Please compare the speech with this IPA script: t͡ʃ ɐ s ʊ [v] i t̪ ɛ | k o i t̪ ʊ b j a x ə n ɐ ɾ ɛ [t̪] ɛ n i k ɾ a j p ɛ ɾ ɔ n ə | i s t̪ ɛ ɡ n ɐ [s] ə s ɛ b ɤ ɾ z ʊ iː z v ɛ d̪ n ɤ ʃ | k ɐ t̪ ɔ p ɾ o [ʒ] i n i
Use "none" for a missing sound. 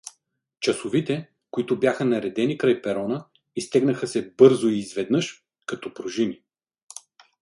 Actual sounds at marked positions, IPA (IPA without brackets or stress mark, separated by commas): v, d̪, x, ʒ